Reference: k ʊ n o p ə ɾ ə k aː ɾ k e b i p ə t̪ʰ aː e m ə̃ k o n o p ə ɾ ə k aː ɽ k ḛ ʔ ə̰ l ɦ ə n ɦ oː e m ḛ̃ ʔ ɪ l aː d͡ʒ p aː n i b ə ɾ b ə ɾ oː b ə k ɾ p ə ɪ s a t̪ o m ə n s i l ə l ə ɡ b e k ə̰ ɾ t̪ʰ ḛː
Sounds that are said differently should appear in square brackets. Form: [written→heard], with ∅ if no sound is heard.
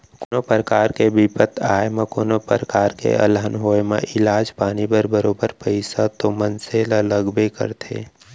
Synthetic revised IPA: k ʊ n o p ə ɾ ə k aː ɾ k e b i p ə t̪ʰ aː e m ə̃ k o n o p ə ɾ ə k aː [ɽ→ɾ] k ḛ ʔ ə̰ l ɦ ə n ɦ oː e m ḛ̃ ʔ ɪ l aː d͡ʒ p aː n i b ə ɾ b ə ɾ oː b ə [k→∅] ɾ p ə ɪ s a t̪ o m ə n s [i→e] l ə l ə ɡ b e k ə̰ ɾ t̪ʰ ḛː